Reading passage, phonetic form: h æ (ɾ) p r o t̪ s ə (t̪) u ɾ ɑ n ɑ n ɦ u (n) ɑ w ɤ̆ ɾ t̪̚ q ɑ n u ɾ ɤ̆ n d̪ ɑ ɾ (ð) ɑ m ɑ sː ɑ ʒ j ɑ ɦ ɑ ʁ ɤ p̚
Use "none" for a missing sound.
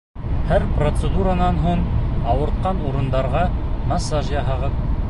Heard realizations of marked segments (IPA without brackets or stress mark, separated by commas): ɾ, d̪, ɴ, ʁ